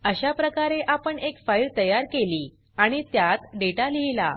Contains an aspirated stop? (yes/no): no